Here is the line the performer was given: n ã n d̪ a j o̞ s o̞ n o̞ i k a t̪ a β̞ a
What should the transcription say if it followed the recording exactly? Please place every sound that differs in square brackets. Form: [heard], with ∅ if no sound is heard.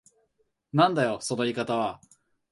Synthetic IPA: n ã n d̪ a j o̞ s o̞ n o̞ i k a t̪ a β̞ a